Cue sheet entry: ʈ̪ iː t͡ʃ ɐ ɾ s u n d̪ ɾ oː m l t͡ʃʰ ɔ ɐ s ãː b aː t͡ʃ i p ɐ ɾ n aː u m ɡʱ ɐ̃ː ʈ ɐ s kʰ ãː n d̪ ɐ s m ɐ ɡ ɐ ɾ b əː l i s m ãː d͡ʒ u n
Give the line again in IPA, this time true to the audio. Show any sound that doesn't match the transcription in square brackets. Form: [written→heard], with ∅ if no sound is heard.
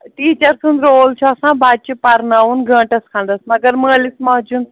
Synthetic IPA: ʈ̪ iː t͡ʃ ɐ ɾ s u n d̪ ɾ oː [m→∅] l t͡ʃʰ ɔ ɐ s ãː b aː t͡ʃ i p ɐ ɾ n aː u [m→n] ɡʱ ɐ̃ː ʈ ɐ s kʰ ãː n d̪ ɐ s m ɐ ɡ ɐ ɾ [b→m] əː l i s m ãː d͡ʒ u n